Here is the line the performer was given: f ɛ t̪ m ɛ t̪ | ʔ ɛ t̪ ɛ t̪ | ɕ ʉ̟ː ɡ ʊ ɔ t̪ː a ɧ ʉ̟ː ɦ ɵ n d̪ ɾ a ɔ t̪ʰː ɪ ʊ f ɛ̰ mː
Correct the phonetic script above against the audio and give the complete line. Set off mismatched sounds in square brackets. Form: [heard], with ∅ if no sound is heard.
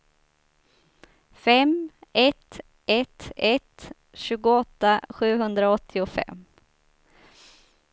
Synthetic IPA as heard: f ɛ [∅] m ɛ t̪ | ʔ ɛ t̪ ɛ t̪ | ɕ ʉ̟ː ɡ ʊ ɔ t̪ː a ɧ ʉ̟ː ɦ ɵ n d̪ ɾ a ɔ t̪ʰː ɪ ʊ f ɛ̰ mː